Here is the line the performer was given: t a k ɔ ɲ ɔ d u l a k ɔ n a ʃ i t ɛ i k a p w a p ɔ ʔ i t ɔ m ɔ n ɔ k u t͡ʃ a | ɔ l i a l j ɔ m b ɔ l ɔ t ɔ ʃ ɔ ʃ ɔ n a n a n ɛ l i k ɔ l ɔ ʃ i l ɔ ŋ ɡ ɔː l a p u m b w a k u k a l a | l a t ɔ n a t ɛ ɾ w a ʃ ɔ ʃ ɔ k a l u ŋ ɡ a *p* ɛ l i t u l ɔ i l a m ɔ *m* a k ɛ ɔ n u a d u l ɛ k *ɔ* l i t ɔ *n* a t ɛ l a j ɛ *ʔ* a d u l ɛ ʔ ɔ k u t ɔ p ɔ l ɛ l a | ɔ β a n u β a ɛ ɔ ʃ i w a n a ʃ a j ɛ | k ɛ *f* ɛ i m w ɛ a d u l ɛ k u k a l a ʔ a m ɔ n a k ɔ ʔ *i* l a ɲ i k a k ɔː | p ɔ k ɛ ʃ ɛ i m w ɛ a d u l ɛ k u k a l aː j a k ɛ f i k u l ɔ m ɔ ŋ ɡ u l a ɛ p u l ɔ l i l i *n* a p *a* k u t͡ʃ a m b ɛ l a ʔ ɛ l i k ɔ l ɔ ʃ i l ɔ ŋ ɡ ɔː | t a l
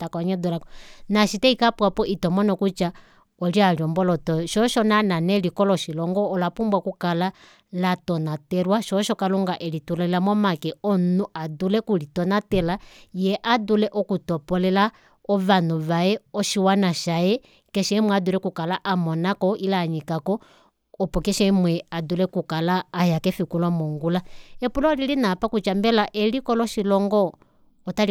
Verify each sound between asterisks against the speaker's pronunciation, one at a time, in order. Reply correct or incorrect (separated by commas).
incorrect, correct, incorrect, correct, correct, incorrect, correct, correct, correct